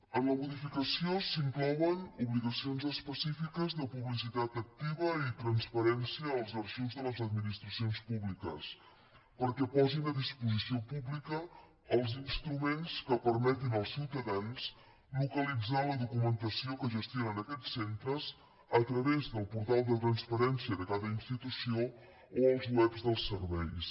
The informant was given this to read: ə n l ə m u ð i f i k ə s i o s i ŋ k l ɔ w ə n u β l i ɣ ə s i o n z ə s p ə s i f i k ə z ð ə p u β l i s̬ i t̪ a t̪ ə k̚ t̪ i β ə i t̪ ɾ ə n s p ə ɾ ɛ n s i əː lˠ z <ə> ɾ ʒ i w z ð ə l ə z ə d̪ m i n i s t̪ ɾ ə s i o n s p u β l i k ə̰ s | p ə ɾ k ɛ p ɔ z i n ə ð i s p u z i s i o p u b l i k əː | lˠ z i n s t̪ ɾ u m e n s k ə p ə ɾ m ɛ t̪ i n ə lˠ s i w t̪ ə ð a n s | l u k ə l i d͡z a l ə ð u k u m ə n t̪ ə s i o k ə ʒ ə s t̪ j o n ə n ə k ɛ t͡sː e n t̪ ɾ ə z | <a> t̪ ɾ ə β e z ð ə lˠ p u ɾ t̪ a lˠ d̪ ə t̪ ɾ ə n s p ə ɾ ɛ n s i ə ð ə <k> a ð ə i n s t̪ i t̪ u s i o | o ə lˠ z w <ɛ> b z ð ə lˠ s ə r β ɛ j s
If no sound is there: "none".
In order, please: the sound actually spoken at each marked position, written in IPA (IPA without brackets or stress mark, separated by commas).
ə, ə, k, ɛ